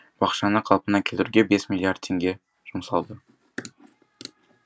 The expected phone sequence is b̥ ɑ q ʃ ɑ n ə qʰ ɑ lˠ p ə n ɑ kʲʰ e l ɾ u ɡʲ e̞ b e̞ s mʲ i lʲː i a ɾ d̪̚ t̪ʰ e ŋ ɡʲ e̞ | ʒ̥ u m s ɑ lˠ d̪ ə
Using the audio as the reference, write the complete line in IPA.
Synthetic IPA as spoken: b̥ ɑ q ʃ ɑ n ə qʰ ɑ lˠ p ə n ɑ kʲʰ e l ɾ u ɡʲ e̞ b e̞ s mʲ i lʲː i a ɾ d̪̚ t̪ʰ e ŋ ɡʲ e̞ | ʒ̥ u m s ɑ lˠ d̪ ə